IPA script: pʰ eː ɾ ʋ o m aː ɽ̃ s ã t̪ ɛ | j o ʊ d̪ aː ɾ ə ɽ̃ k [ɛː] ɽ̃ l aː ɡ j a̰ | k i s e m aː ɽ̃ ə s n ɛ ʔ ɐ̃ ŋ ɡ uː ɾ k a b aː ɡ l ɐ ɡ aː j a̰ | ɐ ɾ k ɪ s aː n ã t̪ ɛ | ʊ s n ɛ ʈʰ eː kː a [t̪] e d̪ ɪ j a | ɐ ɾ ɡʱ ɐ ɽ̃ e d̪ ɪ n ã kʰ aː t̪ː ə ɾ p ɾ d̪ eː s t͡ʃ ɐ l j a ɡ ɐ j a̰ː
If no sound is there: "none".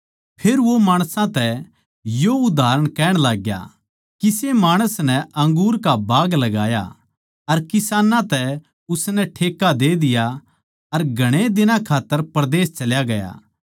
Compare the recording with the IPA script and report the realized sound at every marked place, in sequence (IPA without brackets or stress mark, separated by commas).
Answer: ɛː, d̪